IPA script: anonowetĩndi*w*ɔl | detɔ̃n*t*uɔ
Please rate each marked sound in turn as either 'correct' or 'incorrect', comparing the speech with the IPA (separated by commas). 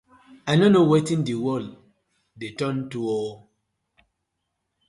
correct, correct